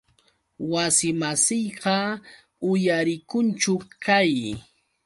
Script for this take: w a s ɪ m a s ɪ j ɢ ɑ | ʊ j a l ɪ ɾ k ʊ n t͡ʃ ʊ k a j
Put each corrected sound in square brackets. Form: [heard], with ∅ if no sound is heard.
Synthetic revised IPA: w a s ɪ m a s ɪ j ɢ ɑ | ʊ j a [ɾ] ɪ [∅] k ʊ n t͡ʃ ʊ k a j

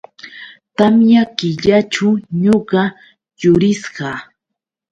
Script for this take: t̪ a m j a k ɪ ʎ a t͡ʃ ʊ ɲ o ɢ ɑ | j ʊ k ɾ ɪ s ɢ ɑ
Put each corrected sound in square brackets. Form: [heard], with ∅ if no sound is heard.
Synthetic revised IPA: t̪ a m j a k ɪ ʎ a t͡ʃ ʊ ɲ o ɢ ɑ | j ʊ [∅] ɾ ɪ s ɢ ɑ

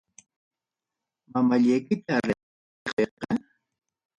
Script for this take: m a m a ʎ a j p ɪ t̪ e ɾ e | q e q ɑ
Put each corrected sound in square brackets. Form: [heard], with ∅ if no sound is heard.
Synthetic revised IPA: m a m a ʎ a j [k] ɪ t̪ [a] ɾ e | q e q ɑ

